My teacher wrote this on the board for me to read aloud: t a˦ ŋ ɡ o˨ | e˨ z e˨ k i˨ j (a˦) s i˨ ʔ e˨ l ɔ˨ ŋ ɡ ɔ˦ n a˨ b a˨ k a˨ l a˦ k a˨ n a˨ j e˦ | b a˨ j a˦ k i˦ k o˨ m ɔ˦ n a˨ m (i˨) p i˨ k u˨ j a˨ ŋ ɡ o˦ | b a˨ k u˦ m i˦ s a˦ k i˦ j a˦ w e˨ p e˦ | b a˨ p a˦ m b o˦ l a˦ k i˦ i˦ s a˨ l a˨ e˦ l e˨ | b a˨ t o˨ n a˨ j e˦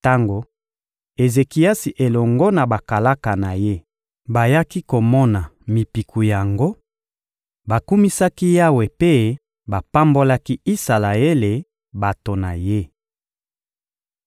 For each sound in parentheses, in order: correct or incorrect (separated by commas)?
correct, correct